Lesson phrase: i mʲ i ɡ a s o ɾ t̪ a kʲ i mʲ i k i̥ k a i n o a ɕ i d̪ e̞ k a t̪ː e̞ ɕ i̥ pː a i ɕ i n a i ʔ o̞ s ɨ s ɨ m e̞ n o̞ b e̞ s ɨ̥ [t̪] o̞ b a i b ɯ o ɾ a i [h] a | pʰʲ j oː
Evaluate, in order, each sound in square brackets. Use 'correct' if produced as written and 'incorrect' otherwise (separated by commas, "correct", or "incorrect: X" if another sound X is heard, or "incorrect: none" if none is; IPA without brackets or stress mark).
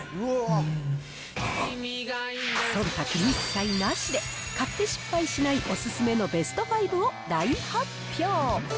correct, correct